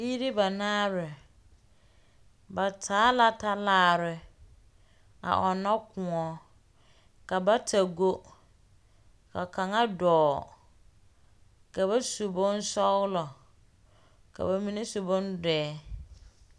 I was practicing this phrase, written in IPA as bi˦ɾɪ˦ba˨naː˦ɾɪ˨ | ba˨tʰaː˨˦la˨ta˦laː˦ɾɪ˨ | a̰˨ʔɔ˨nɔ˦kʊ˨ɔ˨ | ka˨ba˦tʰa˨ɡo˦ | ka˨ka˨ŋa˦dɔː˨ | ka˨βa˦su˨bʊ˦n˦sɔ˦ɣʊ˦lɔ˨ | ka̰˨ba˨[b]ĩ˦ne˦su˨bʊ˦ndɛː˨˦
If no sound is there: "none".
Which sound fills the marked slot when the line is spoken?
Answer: m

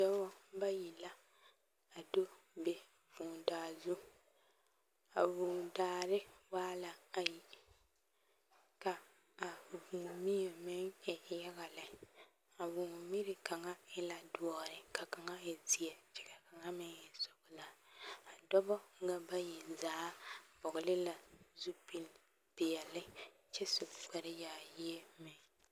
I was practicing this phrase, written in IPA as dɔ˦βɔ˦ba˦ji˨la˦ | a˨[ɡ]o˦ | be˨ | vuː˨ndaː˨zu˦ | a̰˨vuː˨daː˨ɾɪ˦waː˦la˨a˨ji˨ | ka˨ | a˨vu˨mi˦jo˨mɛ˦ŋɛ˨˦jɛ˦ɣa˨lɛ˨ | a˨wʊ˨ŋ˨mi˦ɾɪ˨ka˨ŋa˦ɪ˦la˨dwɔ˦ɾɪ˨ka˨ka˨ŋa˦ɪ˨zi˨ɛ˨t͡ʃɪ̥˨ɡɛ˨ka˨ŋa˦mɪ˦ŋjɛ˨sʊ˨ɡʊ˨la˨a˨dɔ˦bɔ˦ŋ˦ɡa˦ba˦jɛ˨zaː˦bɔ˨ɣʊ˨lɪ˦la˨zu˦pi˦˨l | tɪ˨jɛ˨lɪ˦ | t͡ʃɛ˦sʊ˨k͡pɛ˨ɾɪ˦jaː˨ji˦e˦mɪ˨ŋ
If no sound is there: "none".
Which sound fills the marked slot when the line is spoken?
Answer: d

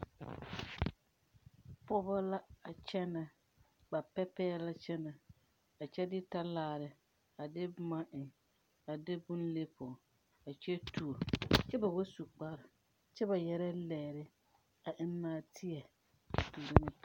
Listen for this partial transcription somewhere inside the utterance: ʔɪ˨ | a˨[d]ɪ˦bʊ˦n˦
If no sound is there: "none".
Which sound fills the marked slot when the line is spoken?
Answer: d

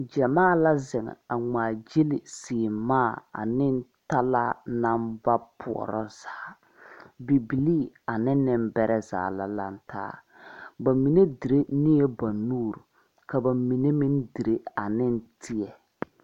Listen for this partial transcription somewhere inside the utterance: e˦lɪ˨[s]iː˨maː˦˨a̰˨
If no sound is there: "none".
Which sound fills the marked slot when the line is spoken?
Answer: s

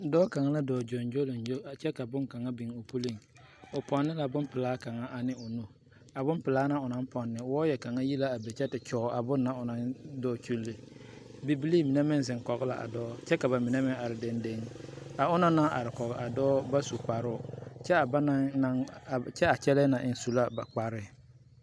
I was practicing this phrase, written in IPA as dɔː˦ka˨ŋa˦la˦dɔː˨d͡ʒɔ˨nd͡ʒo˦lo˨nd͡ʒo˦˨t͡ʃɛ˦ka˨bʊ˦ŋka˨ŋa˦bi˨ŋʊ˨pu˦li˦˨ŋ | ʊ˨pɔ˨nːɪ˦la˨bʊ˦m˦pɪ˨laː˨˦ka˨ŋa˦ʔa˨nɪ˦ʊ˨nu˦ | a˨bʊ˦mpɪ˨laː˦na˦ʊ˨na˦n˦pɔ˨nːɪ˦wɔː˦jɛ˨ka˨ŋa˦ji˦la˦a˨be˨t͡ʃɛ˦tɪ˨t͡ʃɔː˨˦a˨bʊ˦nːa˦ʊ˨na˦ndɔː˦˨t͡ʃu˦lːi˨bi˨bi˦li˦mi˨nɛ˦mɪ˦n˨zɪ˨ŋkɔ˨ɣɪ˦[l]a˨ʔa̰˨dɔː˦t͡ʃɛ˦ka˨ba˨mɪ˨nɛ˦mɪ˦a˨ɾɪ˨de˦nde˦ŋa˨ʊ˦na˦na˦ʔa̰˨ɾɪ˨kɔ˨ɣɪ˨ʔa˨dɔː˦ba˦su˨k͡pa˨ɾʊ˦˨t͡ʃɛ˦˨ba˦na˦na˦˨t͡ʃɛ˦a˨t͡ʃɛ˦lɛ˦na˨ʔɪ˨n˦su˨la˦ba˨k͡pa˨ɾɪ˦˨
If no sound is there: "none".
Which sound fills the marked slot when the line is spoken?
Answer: l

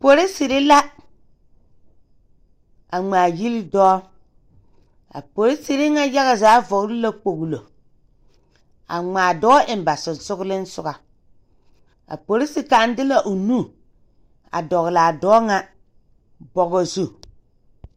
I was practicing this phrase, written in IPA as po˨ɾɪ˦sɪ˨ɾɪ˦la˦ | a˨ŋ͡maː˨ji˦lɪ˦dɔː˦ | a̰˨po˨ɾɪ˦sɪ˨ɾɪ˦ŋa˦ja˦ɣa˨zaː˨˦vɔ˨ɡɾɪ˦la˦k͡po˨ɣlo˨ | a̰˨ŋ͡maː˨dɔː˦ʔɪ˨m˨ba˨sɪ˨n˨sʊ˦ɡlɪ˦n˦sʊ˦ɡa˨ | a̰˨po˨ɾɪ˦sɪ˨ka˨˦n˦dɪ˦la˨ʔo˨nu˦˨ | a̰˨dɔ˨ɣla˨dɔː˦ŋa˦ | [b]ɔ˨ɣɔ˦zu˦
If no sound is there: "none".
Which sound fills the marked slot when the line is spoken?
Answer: b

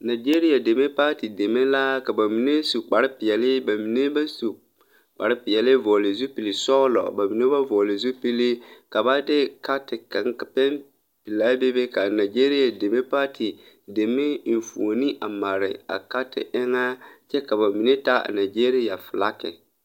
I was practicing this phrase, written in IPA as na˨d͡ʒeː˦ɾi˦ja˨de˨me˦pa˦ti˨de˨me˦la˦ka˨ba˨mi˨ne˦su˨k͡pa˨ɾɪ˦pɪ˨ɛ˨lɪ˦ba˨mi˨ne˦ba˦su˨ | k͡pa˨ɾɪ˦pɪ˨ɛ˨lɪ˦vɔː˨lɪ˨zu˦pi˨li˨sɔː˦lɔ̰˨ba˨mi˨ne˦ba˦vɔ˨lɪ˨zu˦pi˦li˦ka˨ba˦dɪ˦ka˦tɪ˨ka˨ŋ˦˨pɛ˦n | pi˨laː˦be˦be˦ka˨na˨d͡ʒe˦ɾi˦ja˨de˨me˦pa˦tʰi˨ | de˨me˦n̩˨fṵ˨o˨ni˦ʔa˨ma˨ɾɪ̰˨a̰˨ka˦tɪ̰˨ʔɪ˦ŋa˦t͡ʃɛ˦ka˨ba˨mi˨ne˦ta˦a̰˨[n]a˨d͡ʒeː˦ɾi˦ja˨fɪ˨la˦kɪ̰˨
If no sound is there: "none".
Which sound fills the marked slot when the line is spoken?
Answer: n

